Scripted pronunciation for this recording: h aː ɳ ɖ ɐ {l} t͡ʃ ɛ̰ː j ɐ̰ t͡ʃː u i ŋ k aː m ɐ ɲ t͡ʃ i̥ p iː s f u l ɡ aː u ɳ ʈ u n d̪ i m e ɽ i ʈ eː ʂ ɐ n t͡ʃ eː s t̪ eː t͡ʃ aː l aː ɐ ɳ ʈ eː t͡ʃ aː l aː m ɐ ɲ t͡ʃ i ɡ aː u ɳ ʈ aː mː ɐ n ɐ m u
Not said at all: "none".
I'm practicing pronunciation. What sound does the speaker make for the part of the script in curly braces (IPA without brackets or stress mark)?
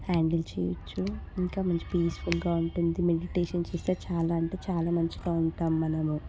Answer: l